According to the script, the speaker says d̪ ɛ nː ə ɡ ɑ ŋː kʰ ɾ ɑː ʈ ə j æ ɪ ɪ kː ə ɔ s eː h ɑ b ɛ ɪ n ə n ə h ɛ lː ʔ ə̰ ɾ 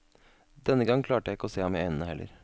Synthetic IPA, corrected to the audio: d̪ ɛ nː ə ɡ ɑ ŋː kʰ l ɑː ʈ ə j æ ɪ ɪ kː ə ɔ s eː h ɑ m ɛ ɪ n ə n ə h ɛ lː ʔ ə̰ ɾ